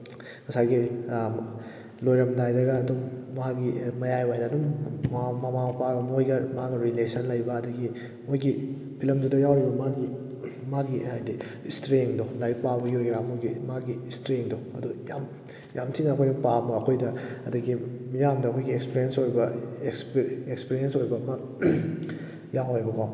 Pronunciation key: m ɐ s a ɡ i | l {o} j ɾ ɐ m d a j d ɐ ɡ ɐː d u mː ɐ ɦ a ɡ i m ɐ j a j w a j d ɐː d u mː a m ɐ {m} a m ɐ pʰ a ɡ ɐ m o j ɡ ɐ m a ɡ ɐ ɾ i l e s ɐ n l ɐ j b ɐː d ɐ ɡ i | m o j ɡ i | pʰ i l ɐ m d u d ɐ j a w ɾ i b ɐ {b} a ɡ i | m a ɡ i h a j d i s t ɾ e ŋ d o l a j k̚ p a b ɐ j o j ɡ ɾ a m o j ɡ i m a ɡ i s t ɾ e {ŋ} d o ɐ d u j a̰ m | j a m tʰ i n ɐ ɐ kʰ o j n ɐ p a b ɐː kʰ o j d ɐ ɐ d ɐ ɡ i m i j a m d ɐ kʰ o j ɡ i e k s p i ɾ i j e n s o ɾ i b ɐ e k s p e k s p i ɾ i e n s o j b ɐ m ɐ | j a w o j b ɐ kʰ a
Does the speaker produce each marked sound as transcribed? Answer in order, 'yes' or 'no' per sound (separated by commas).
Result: yes, yes, no, yes